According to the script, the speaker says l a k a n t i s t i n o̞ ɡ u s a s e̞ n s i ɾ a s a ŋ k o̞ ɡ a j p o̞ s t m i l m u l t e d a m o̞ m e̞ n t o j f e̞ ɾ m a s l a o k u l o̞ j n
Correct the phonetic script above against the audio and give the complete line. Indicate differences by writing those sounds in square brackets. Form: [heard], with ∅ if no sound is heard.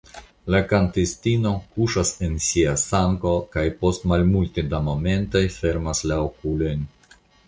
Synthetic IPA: l a k a n t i s t i n o̞ [k] u [ʃ] a s e̞ n s i [∅] a s a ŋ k o̞ [k] a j p o̞ s t m [a] l m u l t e d a m o̞ m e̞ n t o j f e̞ ɾ m a s l a o k u l o̞ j n